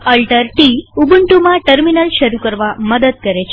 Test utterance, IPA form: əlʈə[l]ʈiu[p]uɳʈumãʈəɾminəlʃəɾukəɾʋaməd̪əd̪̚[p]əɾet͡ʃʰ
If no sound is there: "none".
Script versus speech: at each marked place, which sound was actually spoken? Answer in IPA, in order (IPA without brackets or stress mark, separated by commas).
ɾ, b, k